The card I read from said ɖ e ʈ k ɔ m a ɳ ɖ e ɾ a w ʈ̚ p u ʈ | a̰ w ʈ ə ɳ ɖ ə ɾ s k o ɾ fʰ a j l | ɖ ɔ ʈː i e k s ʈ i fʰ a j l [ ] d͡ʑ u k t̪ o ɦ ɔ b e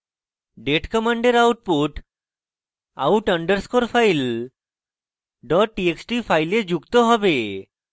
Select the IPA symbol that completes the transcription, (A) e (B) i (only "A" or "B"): A